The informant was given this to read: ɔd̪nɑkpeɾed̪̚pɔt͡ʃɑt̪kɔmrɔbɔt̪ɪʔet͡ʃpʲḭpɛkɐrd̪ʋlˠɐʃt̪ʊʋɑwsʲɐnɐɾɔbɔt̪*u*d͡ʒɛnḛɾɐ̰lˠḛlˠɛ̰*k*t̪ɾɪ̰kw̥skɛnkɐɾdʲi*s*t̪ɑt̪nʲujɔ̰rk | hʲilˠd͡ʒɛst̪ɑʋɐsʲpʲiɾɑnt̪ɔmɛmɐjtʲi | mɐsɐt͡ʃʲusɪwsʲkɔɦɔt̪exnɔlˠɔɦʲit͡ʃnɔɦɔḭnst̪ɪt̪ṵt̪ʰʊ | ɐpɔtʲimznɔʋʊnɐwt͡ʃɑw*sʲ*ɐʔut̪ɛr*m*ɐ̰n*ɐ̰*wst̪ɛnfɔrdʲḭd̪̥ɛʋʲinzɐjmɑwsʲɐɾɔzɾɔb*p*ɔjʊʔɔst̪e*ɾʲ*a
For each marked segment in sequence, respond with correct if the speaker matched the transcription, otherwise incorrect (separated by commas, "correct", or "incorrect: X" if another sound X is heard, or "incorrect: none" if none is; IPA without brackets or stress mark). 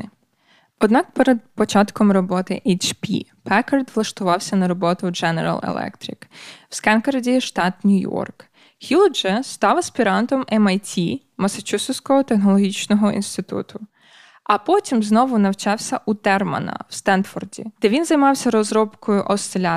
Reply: incorrect: ʊ, correct, incorrect: ʃ, correct, correct, correct, incorrect: k, incorrect: lʲ